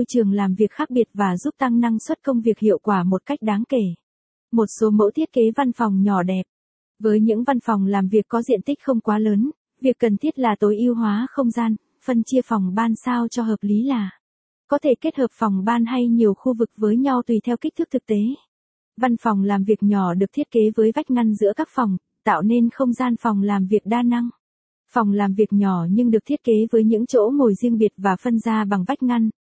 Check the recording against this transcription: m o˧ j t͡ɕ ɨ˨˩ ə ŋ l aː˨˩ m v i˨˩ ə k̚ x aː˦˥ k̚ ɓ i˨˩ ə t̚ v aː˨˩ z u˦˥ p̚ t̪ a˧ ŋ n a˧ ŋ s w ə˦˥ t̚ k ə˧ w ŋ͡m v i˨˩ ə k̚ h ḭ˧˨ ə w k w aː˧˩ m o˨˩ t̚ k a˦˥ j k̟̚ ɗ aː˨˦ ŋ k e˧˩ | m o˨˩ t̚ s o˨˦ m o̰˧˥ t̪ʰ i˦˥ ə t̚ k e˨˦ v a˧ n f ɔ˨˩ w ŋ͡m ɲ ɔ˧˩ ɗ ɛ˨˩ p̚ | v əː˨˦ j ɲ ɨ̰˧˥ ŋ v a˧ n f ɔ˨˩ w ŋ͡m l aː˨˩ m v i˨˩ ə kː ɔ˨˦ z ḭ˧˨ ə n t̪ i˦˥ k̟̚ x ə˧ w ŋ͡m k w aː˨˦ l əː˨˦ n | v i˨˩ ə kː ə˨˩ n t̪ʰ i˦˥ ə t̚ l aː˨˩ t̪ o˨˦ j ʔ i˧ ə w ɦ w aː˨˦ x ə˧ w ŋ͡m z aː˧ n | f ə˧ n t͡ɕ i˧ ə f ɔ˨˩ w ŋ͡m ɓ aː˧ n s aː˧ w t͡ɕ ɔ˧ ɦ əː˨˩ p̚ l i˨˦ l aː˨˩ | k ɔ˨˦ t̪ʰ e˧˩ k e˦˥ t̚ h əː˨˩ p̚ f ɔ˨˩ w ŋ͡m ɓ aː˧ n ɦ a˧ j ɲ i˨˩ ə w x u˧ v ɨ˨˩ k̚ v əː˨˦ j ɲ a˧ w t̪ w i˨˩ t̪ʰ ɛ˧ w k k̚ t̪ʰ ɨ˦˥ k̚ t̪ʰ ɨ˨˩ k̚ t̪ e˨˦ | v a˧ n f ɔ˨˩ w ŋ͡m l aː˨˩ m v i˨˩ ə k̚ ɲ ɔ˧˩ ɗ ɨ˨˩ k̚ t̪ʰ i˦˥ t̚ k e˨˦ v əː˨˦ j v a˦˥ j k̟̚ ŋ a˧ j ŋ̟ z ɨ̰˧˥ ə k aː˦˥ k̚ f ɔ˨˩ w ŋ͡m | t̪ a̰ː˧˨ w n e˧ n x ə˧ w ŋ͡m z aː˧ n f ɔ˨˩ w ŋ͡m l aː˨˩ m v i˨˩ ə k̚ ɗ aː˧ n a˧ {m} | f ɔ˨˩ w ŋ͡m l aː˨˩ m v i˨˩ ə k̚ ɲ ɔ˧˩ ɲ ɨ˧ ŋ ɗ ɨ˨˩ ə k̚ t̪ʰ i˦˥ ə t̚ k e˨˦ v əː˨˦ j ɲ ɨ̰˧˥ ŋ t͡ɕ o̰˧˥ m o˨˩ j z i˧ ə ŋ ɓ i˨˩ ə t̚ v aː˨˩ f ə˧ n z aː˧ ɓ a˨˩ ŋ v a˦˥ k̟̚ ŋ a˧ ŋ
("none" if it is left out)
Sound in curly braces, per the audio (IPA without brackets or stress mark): ŋ